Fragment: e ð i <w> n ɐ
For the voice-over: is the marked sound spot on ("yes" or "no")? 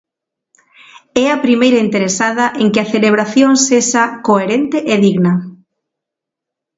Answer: no